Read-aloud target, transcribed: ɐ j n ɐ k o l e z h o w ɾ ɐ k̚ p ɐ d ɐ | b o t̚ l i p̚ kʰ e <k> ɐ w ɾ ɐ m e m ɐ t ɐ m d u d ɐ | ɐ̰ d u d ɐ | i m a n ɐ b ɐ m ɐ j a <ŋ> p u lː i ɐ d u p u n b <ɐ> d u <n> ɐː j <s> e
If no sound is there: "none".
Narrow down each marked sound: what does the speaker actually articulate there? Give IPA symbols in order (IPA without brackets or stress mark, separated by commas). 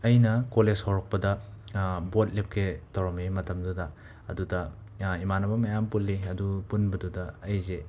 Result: t, m, ɐ, d, z